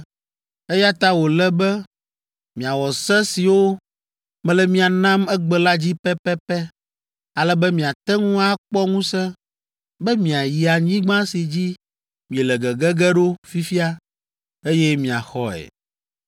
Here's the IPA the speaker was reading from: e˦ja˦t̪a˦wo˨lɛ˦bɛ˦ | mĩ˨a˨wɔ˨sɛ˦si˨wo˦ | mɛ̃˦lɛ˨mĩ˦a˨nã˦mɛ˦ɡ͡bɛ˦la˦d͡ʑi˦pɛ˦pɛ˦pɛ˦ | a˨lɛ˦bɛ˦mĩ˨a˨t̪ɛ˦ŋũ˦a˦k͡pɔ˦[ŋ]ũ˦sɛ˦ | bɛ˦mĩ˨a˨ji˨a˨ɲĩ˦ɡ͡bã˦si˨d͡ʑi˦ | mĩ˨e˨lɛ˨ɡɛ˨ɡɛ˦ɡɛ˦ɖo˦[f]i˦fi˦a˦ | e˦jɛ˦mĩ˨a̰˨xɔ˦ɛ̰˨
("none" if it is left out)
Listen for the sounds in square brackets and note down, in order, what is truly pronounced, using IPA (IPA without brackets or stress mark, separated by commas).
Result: ŋ, f